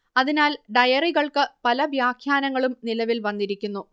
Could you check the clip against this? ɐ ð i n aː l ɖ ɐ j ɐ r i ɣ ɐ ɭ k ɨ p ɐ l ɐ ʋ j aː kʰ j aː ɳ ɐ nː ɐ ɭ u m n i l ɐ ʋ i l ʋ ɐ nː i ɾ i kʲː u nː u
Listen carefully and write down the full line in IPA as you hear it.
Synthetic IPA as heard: ɐ ð i n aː l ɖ ɐ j ɐ r i ɣ ɐ ɭ k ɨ p ɐ l ɐ ʋ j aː kʰ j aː n ɐ ŋː ɐ ɭ u m n i l ɐ ʋ i l ʋ ɐ nː i ɾ i kʲː u nː u

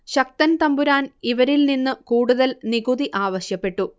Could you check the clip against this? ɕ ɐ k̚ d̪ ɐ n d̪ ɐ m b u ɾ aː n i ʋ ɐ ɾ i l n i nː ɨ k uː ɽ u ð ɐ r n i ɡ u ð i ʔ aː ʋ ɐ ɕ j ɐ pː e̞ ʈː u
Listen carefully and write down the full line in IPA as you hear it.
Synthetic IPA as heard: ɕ ɐ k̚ t̪ ɐ n t̪ ɐ m b u ɾ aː n i ʋ ɐ ɾ i l n i nː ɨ k uː ɽ u ð ɐ l n i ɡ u ð i ʔ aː ʋ ɐ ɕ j ɐ pː e̞ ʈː u

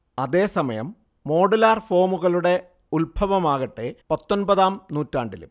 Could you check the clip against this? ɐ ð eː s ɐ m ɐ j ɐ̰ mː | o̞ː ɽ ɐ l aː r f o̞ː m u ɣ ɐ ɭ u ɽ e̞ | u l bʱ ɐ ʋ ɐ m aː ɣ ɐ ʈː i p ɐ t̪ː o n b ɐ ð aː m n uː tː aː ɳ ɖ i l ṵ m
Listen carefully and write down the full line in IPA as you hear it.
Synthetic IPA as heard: ɐ ð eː s ɐ m ɐ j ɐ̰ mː | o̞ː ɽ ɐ l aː r f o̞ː m u ɣ ɐ ɭ u ɽ e̞ | u l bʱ ɐ ʋ ɐ m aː ɣ ɐ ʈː e p ɐ t̪ː o n b ɐ ð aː m n uː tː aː ɳ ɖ i l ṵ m

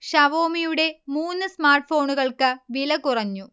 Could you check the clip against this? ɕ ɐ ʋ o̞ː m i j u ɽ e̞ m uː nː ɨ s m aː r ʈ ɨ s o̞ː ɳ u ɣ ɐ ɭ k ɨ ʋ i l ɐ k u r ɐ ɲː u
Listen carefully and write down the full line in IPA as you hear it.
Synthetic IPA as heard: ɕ ɐ ʋ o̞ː m i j u ɽ e̞ m uː nː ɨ s m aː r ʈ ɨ f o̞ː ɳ u ɣ ɐ ɭ k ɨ ʋ i l ɐ k u r ɐ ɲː u

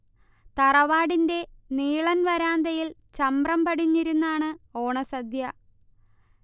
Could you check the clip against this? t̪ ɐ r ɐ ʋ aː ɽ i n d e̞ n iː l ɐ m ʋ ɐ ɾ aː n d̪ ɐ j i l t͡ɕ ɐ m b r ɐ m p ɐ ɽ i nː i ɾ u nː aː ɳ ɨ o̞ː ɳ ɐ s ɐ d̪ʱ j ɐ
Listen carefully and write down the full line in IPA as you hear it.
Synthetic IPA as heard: t̪ ɐ r ɐ ʋ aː ɽ i n d e̞ n iː ɭ ɐ n ʋ ɐ ɾ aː n d̪ ɐ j i l t͡ɕ ɐ m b r ɐ m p ɐ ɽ i ɲː i ɾ u nː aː ɳ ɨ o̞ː ɳ ɐ s ɐ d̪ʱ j ɐ

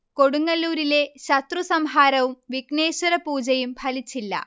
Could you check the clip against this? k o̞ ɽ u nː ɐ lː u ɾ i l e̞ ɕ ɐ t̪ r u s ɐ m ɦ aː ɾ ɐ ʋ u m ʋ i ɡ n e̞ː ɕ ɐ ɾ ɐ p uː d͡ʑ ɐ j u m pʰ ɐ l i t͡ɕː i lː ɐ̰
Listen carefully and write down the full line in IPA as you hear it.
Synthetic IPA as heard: k o̞ ɽ u ŋː ɐ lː uː ɾ i l e̞ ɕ ɐ t̪ r u s ɐ m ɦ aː ɾ ɐ ʋ u m ʋ i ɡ n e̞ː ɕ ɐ ɾ ɐ p uː d͡ʑ ɐ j u m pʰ ɐ l i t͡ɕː i lː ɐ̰

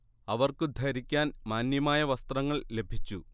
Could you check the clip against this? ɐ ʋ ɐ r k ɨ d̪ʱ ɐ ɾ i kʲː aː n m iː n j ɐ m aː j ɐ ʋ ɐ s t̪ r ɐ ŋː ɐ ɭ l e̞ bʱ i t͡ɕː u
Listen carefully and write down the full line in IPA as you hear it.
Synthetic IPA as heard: ɐ ʋ ɐ r k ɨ d̪ʱ ɐ ɾ i kʲː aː n m aː n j ɐ m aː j ɐ ʋ ɐ s t̪ r ɐ ŋː ɐ ɭ l e̞ bʱ i t͡ɕː u

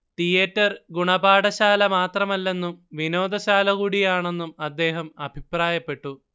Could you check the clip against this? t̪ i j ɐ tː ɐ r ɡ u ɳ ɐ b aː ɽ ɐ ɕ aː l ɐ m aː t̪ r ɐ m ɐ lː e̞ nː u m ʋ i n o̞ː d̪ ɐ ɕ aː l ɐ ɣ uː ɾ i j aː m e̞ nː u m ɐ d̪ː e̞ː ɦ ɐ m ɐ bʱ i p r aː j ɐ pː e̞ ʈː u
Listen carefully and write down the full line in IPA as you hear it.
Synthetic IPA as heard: t̪ i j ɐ tː ɐ r ɡ u ɳ ɐ b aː ɽ ɐ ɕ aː l ɐ m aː t̪ r ɐ m ɐ lː e̞ nː u m ʋ i n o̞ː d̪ ɐ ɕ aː l ɐ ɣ uː ɽ i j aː ɳ e̞ nː u m ɐ d̪ː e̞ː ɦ ɐ m ɐ bʱ i p r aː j ɐ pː e̞ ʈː u

